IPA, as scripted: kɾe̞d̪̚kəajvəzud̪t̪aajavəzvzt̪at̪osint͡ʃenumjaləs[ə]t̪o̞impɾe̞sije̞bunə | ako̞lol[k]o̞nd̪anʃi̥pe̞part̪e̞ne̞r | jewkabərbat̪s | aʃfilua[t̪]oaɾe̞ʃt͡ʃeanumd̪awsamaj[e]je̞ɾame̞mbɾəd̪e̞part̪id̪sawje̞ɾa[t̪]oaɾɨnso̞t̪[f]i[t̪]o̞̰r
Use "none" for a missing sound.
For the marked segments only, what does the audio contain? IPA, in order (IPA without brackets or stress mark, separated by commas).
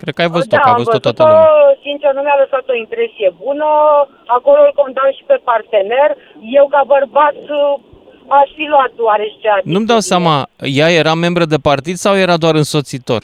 a, k, t̪, a, d̪, s, t̪